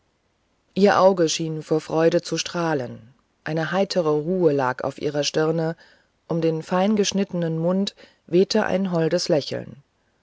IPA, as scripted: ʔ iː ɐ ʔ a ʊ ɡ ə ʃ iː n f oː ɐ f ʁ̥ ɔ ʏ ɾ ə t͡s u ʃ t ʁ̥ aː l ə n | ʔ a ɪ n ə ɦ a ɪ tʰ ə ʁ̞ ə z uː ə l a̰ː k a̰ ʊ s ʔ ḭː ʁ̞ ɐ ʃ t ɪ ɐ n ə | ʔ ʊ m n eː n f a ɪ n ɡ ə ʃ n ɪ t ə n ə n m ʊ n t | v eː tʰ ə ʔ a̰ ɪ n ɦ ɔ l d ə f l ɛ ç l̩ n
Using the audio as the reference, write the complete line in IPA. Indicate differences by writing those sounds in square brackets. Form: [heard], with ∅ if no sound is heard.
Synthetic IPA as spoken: ʔ iː ɐ ʔ a ʊ ɡ ə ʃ iː n f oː ɐ f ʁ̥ ɔ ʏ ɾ ə t͡s u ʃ t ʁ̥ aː l ə n | ʔ a ɪ n ə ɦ a ɪ tʰ ə ʁ̞ ə [ʁ] uː ə l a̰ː k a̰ ʊ [f] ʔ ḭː ʁ̞ ɐ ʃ t ɪ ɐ n ə | ʔ ʊ m [d] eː n f a ɪ n ɡ ə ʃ n ɪ t ə n ə n m ʊ n t | v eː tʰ ə ʔ a̰ ɪ n ɦ ɔ l d ə [s] l ɛ ç l̩ n